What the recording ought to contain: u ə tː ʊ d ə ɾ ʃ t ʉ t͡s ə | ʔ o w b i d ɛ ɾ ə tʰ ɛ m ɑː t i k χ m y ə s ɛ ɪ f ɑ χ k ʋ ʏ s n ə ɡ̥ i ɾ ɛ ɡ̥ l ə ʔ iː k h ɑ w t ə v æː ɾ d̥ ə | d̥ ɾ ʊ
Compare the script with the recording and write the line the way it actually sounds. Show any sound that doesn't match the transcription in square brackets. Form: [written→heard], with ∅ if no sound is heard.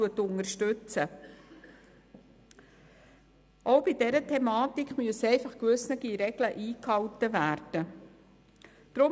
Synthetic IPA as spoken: u ə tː ʊ [d→n] ə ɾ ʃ t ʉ t͡s ə | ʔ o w b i d ɛ ɾ ə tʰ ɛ m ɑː t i k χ m y ə s ɛ ɪ f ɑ χ k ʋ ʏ s n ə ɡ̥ i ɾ ɛ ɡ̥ l ə ʔ iː k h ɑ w t ə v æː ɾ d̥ ə | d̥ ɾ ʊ